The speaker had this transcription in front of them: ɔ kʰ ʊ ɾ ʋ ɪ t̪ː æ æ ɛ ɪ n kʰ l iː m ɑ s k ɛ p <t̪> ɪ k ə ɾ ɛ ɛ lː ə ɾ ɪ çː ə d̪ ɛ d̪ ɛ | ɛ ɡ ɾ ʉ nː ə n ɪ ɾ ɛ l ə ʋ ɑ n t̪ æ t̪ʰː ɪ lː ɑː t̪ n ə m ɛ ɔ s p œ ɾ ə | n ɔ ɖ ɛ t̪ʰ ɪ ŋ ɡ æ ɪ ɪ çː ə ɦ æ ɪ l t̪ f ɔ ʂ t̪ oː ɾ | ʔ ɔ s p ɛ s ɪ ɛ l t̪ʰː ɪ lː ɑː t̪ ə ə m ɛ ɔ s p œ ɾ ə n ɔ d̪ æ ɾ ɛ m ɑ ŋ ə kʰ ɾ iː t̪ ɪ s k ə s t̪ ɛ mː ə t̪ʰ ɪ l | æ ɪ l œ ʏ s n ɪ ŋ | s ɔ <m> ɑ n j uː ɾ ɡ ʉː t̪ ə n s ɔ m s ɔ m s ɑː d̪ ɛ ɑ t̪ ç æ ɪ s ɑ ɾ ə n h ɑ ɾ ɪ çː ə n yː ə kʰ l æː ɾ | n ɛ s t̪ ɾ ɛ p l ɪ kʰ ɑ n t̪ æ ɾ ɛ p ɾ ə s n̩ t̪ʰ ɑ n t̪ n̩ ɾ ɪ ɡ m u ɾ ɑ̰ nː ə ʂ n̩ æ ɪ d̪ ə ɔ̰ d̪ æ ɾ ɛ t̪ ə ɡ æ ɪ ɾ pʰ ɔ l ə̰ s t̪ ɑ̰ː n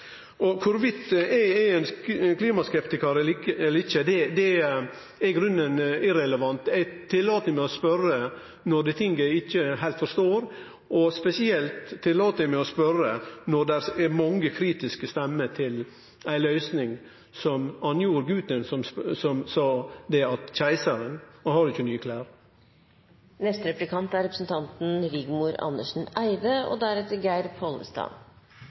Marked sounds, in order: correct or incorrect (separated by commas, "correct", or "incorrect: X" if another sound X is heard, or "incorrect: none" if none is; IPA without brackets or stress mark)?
correct, correct